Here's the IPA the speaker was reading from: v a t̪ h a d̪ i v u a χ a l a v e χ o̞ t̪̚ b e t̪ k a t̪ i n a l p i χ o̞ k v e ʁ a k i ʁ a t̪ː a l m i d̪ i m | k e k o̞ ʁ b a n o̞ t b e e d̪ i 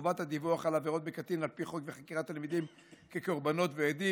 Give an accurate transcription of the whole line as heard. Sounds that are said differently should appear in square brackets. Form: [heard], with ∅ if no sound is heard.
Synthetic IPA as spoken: v a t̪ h a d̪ i v u a χ a l a v e [ʁ] o̞ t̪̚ b e [∅] k a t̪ i n a l p i χ o̞ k v e [χ] a k i ʁ a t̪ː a l m i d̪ i m | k e k o̞ ʁ b a n o̞ t [v] e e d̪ i